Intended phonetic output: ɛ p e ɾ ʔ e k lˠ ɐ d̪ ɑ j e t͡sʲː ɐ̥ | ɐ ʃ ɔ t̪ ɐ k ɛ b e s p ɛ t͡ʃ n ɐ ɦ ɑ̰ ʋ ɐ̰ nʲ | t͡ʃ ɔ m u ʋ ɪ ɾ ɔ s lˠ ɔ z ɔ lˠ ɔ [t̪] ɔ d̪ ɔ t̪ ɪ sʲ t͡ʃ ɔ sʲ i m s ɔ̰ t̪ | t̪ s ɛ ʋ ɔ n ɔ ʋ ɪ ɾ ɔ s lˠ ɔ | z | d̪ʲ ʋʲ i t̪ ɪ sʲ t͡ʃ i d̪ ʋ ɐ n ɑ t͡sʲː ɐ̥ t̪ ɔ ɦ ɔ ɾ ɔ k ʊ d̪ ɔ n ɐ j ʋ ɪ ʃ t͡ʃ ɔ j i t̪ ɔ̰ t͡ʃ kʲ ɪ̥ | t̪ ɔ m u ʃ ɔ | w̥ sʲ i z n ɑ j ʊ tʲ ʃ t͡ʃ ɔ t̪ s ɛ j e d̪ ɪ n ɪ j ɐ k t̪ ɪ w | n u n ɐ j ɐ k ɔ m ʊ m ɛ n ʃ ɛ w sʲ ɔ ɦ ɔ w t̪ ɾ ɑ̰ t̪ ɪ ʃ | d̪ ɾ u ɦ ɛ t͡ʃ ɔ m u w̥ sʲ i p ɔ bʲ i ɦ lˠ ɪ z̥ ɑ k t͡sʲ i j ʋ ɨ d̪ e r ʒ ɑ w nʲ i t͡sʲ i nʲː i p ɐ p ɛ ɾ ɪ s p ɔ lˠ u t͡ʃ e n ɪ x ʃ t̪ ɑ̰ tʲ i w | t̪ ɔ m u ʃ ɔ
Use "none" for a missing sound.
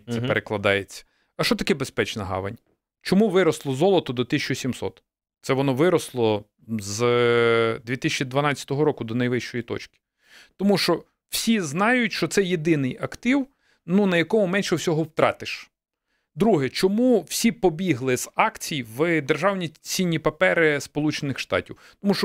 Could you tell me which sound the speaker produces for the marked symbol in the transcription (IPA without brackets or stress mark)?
t̪